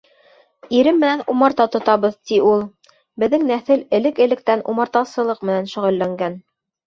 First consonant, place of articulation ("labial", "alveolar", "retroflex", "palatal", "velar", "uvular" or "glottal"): alveolar